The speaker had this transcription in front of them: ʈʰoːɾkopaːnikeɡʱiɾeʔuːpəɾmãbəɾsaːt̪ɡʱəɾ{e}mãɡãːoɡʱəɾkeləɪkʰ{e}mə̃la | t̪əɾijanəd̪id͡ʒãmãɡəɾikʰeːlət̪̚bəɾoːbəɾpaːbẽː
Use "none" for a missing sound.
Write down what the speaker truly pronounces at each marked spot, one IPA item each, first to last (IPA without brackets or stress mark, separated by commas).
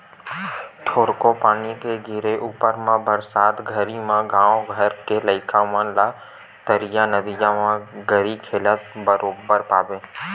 i, a